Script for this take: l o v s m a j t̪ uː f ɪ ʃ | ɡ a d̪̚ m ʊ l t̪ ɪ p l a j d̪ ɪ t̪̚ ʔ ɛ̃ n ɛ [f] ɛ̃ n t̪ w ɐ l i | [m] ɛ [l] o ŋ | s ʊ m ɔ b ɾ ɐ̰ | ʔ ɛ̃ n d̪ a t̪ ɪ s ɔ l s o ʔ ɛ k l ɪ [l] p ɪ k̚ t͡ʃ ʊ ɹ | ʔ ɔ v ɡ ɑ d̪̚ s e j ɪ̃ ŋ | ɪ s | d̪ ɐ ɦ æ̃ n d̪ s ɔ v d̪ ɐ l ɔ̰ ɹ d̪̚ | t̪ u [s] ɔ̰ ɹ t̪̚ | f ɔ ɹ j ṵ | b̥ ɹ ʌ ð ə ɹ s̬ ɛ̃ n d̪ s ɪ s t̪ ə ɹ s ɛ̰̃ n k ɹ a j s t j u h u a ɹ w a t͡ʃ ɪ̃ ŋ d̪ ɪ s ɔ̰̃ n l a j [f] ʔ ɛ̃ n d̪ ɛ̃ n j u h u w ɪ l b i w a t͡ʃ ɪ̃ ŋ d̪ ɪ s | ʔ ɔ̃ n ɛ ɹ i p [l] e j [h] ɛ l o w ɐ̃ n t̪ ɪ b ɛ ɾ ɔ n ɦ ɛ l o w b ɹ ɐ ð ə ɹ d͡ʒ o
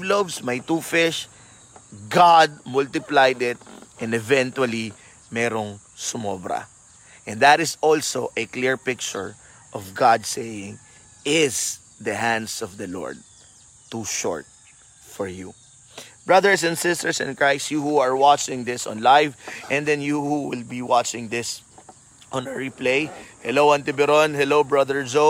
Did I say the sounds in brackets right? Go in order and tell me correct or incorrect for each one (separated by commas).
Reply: incorrect, correct, incorrect, incorrect, incorrect, incorrect, correct, correct